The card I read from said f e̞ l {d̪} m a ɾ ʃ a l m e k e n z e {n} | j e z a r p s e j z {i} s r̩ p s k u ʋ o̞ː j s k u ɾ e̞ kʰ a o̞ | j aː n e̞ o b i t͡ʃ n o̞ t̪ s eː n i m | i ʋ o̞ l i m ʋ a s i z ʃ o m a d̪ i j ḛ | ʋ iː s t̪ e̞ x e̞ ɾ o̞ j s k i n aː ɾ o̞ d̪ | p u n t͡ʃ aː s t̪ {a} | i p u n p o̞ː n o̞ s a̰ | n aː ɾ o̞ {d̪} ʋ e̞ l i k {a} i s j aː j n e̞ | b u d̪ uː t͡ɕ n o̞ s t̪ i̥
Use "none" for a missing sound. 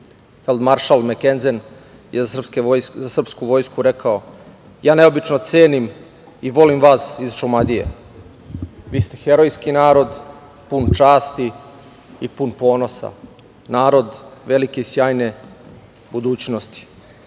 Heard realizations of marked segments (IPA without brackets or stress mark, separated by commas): d̪, n, a, i, d̪, e